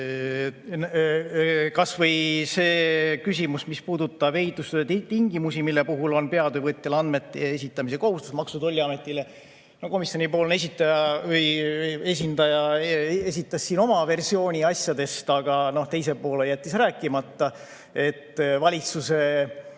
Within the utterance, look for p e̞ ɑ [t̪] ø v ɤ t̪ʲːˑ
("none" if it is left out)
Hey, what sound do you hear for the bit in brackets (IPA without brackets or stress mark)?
d̪